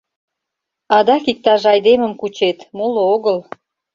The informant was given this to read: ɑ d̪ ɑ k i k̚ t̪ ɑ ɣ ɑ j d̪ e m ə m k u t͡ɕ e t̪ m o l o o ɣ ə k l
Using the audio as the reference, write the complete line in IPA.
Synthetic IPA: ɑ d̪ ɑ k i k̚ t̪ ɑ ʒ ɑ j d̪ e m ə m k u t͡ɕ e t̪ m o l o o ɣ ə l

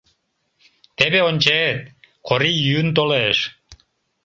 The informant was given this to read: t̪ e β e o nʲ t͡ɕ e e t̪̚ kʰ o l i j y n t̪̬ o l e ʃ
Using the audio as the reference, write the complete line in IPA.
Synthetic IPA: t̪ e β e o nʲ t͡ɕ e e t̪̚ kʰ o ɾ i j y n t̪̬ o l e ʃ

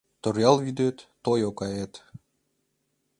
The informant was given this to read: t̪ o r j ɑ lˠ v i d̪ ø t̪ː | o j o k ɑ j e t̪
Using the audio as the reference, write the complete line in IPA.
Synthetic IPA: t̪ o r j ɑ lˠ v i d̪ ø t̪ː | o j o k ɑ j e t̪

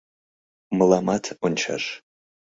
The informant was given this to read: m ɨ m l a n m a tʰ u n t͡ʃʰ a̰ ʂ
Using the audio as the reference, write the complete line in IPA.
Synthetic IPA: m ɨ l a m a tʰ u n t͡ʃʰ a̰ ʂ

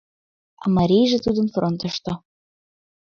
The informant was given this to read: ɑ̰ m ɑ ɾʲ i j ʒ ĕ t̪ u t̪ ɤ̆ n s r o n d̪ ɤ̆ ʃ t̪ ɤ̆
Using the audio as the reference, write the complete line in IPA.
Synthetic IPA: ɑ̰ m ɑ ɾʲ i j ʒ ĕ t̪ u d̪ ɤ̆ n f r o n t̪ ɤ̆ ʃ t̪ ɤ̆

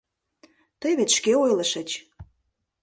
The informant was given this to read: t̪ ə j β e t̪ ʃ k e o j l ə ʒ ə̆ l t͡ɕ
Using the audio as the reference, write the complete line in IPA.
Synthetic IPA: t̪ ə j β e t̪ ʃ k e o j l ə ʃ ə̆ t͡ɕ

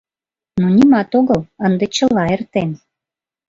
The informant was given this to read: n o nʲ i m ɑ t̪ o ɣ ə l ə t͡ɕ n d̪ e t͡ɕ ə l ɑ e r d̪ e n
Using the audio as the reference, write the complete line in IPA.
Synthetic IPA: n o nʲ i m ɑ t̪ o ɣ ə l ə n d̪ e t͡ɕ ə l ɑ e r t̪ e n

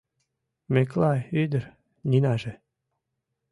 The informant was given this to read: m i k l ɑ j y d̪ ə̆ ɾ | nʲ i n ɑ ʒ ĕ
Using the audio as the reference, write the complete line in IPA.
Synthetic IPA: m e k l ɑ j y d̪ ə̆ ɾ | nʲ i n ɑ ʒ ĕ

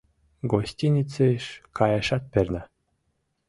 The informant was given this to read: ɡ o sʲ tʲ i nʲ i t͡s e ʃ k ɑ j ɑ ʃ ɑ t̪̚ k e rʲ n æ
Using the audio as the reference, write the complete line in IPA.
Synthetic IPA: ɡ o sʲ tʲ i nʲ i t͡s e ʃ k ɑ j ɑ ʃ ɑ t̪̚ p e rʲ n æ

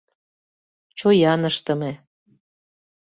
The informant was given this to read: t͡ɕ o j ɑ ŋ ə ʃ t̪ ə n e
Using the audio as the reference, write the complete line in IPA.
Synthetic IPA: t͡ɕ o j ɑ n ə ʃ t̪ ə m e

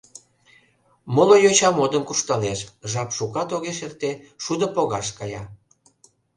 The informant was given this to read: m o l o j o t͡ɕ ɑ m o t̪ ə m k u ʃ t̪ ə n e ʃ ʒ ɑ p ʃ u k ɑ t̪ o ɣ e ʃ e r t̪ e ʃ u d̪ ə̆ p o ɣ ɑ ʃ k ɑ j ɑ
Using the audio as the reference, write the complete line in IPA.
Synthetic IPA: m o l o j o t͡ɕ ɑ m o d̪ ə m k u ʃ t̪ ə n e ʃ ʒ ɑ p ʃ u k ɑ t̪ o ɣ e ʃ e r t̪ e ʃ u d̪ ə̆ p o ɣ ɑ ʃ k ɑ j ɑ

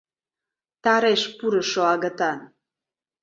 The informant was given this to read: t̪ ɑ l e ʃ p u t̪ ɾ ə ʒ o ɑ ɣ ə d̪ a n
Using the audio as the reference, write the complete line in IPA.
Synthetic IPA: t̪ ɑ ɾ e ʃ p u ɾ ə ʃ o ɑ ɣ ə t̪ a n

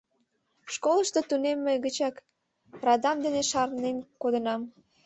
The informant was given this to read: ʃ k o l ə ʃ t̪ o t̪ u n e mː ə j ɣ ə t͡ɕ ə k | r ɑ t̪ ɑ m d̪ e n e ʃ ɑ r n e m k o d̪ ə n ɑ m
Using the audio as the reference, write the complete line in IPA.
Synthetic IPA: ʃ k o l ə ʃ t̪ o t̪ u n e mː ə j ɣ ə t͡ɕ ɑ k | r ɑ d̪ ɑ m d̪ e n e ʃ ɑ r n e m k o d̪ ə n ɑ m

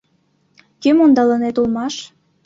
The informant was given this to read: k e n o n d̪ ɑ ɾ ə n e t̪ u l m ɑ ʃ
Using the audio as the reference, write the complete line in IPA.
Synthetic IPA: k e m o n d̪ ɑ l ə n e t̪ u l m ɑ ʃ

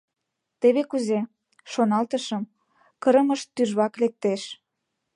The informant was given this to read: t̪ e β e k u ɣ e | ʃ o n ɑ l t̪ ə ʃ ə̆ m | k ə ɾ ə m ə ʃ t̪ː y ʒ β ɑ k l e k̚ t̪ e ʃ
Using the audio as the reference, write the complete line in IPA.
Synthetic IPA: t̪ e β e k u z e | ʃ o n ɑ l t̪ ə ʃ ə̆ m | k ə ɾ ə m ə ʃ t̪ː y ʒ β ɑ k l e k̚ t̪ e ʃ

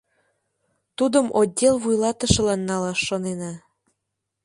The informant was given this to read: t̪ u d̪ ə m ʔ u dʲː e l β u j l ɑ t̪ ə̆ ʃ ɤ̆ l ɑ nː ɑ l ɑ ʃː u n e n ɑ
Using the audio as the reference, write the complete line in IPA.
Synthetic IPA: t̪ u d̪ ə m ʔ o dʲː e l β u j l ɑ t̪ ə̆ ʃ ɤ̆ l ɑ nː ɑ l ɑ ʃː o n e n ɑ

